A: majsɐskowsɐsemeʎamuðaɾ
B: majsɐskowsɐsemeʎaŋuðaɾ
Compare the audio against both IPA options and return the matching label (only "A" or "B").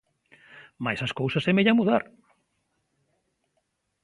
A